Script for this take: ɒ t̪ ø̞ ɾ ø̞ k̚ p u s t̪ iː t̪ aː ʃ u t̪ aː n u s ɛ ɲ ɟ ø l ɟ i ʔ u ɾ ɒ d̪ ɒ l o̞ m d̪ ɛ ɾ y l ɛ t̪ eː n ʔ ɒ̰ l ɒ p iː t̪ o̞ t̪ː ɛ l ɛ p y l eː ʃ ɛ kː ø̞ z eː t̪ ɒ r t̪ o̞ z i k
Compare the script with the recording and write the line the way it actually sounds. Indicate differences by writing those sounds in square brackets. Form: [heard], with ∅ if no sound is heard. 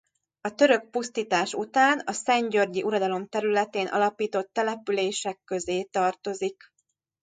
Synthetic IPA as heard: ɒ t̪ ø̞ ɾ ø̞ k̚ p u s t̪ iː t̪ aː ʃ u t̪ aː n [ɒ] s ɛ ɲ ɟ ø [r] ɟ i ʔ u ɾ ɒ d̪ ɒ l o̞ m [t̪] ɛ ɾ y l ɛ t̪ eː n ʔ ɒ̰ l ɒ p iː t̪ o̞ t̪ː ɛ l ɛ p y l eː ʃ ɛ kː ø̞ z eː t̪ ɒ r t̪ o̞ z i k